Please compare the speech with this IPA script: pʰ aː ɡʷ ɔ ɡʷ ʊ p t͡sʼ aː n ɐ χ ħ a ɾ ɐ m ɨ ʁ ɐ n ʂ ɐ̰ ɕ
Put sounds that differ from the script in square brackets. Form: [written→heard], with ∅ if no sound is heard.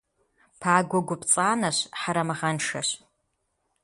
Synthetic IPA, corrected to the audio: pʰ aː ɡʷ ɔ ɡʷ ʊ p t͡sʼ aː n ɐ [χ→ɕ] ħ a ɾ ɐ m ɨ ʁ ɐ n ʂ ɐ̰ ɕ